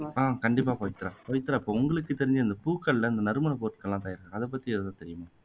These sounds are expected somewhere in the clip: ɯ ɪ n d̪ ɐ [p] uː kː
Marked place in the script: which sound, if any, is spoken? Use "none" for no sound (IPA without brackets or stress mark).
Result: p